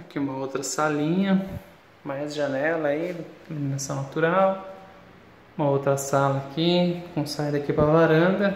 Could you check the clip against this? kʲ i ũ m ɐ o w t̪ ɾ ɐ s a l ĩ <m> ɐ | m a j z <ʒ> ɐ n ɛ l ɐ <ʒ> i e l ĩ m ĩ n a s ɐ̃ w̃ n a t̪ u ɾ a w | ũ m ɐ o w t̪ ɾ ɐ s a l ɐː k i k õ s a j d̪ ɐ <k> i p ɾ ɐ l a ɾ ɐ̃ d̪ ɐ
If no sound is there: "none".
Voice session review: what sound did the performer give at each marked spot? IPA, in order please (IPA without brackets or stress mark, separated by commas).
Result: ɲ, ʒ, none, k